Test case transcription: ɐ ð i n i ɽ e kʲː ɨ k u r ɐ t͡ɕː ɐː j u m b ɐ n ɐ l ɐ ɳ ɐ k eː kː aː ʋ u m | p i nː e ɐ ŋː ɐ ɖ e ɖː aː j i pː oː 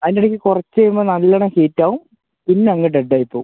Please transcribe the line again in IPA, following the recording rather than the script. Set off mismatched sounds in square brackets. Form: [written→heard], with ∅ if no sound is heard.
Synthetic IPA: ɐ ð i n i ɽ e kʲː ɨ k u r ɐ t͡ɕː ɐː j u m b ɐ n ɐ [l→lː] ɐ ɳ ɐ k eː [kː→tː] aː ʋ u m | p i nː e ɐ ŋː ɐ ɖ e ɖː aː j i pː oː

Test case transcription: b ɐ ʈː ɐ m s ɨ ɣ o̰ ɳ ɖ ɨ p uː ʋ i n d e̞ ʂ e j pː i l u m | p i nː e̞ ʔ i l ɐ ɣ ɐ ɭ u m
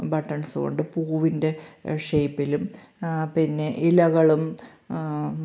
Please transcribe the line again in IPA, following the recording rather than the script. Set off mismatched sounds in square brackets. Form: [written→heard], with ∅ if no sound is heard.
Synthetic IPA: b ɐ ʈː ɐ [m→ɳ] s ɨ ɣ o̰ ɳ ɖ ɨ p uː ʋ i n d e̞ ʂ e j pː i l u m | p i nː e̞ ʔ i l ɐ ɣ ɐ ɭ u m

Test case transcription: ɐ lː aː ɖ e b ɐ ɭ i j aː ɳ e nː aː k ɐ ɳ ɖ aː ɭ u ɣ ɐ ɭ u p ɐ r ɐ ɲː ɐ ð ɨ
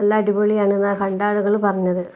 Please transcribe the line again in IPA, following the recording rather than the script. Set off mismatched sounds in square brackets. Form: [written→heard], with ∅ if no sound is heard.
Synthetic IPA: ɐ lː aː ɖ [e→i] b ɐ ɭ i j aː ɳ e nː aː k ɐ ɳ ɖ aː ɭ u ɣ ɐ ɭ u p ɐ r ɐ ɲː ɐ ð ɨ

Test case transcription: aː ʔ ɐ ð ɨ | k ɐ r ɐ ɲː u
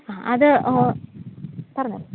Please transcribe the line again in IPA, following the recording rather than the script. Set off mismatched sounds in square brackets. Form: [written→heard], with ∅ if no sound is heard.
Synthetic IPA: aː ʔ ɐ ð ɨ | [k→p] ɐ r ɐ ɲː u

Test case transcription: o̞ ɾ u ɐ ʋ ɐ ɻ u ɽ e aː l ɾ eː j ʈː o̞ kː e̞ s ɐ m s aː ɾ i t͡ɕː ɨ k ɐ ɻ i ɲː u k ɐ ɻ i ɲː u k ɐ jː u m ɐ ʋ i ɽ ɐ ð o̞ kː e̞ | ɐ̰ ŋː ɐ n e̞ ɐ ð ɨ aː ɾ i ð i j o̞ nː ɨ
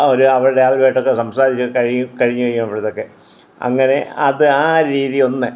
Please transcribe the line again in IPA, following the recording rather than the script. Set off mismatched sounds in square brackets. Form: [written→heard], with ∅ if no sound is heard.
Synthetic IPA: o̞ ɾ u ɐ ʋ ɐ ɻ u ɽ e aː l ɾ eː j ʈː o̞ kː e̞ s ɐ m s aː ɾ i t͡ɕː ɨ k ɐ ɻ i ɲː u k ɐ ɻ i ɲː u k ɐ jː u m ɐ ʋ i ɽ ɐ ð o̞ kː e̞ | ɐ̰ ŋː ɐ n e̞ ɐ ð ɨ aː ɾ [i→iː] ð i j o̞ nː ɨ

